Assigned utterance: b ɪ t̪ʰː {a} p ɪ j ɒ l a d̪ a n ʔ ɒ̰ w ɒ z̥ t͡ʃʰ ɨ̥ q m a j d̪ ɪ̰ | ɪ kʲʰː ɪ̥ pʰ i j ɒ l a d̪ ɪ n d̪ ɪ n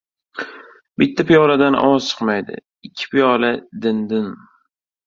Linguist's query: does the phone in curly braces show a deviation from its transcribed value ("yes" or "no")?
no